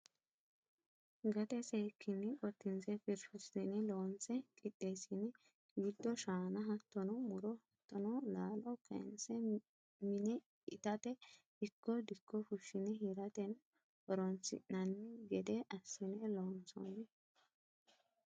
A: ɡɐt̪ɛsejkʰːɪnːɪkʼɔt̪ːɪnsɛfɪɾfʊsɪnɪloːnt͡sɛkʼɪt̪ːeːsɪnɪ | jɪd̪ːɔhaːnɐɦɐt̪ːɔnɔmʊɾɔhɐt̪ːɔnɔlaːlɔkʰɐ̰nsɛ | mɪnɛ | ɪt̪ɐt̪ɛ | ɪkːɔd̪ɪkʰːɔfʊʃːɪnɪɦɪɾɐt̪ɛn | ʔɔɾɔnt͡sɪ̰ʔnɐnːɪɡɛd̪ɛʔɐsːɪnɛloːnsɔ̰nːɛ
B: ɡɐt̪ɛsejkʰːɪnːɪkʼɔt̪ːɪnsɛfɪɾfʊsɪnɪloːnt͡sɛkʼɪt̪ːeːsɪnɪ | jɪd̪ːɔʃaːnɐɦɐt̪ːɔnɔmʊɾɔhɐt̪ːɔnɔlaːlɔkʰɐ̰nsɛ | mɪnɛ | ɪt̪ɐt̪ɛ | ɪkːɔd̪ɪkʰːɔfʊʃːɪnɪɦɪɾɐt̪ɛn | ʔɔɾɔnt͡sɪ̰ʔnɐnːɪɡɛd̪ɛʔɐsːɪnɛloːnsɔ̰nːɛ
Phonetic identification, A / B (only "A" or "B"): B